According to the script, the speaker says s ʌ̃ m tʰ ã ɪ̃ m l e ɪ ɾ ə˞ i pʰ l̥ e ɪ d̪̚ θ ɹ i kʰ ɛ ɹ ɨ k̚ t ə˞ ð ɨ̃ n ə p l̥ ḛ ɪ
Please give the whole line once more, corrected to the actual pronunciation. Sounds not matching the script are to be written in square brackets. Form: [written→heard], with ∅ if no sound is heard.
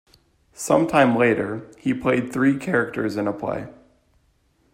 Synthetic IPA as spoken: s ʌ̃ m tʰ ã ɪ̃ m l e ɪ ɾ ə˞ i pʰ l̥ e ɪ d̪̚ θ ɹ i kʰ ɛ ɹ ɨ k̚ t ə˞ [ð→z] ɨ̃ n ə [p→pʰ] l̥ ḛ ɪ